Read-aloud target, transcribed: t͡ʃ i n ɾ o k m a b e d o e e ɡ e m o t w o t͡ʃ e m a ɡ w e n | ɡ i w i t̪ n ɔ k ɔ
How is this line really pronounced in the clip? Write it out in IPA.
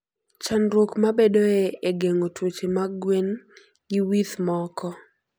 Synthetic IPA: t͡ʃ a n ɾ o k m a b e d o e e ɡ e ŋ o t w o t͡ʃ e m a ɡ w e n | ɡ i w i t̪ m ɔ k ɔ